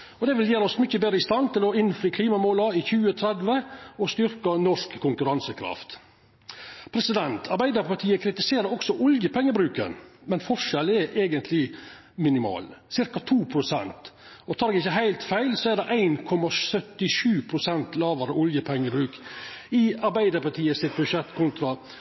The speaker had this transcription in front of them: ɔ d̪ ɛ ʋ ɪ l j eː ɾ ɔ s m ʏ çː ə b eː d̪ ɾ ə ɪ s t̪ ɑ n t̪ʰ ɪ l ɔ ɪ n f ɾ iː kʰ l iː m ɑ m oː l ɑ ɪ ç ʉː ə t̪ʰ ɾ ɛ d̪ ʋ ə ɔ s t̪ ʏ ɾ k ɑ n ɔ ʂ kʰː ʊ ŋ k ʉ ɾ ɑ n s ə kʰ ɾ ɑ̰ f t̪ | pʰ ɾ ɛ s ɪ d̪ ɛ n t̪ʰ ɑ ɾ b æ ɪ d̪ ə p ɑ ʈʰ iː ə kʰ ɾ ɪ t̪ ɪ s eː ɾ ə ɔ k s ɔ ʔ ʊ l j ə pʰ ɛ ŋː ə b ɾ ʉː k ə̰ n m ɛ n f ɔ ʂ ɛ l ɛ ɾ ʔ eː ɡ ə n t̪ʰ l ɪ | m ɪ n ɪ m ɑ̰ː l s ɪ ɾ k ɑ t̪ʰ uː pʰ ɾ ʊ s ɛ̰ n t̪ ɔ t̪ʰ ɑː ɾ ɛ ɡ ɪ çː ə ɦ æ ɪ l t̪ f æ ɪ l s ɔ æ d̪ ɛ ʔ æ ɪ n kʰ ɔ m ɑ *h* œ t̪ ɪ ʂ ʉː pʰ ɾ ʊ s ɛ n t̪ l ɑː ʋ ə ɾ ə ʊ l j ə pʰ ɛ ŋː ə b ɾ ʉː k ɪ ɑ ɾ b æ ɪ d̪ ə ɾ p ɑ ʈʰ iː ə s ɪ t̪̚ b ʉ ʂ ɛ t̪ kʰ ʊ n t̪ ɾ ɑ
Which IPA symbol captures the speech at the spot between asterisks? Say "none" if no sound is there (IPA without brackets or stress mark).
s